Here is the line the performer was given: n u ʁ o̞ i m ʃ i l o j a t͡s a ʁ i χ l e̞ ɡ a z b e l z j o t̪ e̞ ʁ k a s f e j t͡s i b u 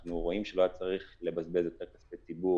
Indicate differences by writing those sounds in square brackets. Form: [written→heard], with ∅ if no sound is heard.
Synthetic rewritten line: n u ʁ o̞ i m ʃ [i→e] l o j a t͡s a ʁ i χ l e̞ [ɡ→b] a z b e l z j o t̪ e̞ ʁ k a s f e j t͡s i b u